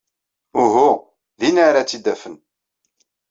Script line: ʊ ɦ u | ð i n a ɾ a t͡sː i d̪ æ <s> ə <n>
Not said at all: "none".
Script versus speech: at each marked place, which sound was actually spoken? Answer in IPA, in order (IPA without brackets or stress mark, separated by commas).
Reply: f, n